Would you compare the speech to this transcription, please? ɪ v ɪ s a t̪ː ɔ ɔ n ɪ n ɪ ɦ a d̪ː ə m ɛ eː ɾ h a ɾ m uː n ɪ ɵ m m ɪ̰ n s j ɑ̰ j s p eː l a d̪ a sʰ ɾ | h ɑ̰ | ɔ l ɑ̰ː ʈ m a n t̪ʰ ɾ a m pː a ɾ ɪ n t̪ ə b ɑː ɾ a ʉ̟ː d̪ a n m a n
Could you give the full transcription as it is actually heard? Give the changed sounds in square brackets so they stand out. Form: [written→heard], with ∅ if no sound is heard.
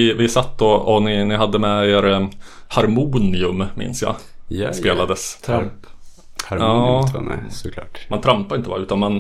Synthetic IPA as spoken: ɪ v ɪ s a t̪ː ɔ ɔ n ɪ n ɪ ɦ a d̪ː ə m ɛ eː ɾ h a ɾ m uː n ɪ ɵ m m ɪ̰ n s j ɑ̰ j s p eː l a d̪ [a→ə] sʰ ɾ | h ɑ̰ | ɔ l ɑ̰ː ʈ m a n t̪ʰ ɾ a m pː a ɾ ɪ n t̪ ə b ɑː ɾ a ʉ̟ː [d̪→t̪] a n m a n